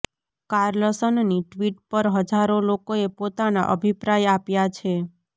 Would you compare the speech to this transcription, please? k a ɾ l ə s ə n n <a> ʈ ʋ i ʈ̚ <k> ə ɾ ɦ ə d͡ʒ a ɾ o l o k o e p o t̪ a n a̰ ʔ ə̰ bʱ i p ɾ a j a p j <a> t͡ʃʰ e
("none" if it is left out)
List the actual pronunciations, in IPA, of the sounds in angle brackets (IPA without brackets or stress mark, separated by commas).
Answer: i, p, a